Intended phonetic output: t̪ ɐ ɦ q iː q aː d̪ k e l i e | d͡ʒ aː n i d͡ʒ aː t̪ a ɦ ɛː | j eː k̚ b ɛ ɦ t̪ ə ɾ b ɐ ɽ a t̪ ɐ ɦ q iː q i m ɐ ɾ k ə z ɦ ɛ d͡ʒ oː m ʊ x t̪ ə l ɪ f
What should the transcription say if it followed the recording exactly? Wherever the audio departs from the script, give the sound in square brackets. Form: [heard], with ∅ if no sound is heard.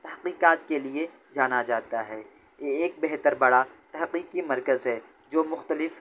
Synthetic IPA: t̪ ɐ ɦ q iː q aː [t̪] k e l i e | d͡ʒ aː n [a] d͡ʒ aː t̪ a ɦ ɛː | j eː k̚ b ɛ ɦ t̪ ə ɾ b ɐ ɽ a t̪ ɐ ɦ q iː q i m ɐ ɾ k ə z ɦ ɛ d͡ʒ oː m ʊ x t̪ ə l ɪ f

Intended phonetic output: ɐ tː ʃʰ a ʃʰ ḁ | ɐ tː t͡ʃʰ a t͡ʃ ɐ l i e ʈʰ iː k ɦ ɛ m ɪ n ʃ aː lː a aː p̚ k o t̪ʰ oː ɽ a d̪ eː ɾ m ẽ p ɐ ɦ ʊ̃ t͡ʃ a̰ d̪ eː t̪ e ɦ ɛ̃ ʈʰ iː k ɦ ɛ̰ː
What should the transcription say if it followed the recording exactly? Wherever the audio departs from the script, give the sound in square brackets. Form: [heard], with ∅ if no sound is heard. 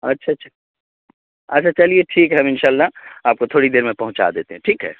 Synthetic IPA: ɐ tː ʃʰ a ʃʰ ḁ | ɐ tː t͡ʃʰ a t͡ʃ ɐ l i e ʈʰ iː k ɦ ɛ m ɪ n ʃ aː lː a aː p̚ k o t̪ʰ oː ɽ [i] d̪ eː ɾ m ẽ p ɐ ɦ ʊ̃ t͡ʃ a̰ d̪ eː t̪ e ɦ ɛ̃ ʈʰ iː k ɦ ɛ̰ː

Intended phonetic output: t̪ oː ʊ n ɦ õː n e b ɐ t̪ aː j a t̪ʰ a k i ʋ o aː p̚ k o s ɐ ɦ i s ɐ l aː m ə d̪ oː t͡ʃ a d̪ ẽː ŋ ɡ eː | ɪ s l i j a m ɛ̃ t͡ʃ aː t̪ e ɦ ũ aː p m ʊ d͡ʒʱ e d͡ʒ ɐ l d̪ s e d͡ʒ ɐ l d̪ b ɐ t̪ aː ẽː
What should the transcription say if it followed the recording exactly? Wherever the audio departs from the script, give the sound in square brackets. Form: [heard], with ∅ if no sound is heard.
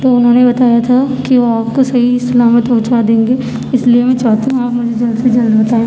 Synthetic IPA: t̪ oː ʊ n ɦ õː n e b ɐ t̪ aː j a t̪ʰ a k i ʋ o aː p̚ k o s ɐ ɦ i s ɐ l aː m ə [t̪] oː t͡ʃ a d̪ ẽː ŋ ɡ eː | ɪ s l i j [e] m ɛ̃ t͡ʃ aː t̪ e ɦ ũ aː p m ʊ d͡ʒʱ e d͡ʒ ɐ l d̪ s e d͡ʒ ɐ l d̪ b ɐ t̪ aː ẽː

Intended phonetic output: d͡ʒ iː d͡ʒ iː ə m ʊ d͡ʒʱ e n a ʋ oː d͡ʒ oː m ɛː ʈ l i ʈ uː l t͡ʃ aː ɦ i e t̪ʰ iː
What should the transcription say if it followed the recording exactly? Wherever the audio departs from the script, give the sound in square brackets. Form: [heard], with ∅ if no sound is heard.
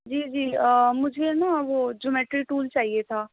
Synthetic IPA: d͡ʒ iː d͡ʒ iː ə m ʊ d͡ʒʱ e n a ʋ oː d͡ʒ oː m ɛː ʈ [ɾ] i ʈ uː l t͡ʃ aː ɦ i e t̪ʰ [aː]

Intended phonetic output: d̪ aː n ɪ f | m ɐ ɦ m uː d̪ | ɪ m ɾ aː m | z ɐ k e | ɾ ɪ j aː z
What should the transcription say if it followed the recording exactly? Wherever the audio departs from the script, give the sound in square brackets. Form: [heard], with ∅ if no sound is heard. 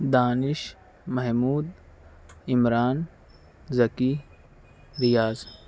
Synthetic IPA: d̪ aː n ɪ [ʃ] | m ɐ ɦ m uː d̪ | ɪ m ɾ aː [n] | z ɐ k [i] | ɾ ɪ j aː z

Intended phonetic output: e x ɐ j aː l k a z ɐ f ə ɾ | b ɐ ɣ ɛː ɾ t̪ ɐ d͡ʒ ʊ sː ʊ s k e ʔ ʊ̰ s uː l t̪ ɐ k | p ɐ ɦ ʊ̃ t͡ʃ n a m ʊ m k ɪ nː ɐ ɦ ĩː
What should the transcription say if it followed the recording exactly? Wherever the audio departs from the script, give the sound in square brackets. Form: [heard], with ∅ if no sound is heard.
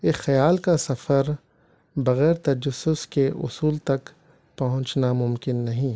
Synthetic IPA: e x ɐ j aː l k a [s] ɐ f ə ɾ | b ɐ ɣ ɛː ɾ t̪ ɐ d͡ʒ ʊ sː ʊ s k e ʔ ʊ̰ s uː l t̪ ɐ k | p ɐ ɦ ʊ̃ t͡ʃ n a m ʊ m k ɪ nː ɐ ɦ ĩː

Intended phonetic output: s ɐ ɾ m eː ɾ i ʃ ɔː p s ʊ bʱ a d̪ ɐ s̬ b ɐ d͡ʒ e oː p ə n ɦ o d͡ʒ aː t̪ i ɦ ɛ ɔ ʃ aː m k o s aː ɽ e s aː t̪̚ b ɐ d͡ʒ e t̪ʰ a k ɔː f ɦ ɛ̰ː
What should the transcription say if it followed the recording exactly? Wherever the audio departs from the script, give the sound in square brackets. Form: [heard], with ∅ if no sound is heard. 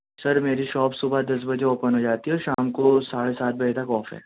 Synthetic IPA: s ɐ ɾ m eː ɾ i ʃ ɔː p s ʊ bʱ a d̪ ɐ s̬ b ɐ d͡ʒ e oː p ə n ɦ o d͡ʒ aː t̪ i ɦ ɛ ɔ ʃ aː m k o s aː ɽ e s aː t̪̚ b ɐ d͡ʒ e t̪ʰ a k ɔː f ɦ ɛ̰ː

